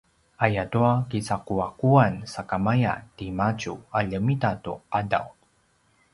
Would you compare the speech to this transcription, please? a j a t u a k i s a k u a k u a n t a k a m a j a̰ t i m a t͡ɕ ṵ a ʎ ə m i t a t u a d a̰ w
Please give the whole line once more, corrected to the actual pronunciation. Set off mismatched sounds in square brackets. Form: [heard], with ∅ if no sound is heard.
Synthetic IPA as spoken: a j a t u a k i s a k u a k u a n [s] a k a m a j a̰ t i m a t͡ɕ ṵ a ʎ ə m i t a t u a d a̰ w